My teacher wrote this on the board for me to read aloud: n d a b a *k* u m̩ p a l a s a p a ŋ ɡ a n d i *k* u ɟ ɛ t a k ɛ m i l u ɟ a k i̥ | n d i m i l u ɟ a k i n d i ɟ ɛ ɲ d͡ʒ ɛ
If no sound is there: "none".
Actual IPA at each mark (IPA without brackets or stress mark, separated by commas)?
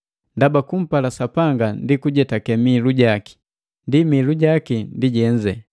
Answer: k, k